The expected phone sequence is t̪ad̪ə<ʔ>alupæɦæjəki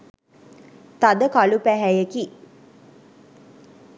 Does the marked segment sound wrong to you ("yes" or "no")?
yes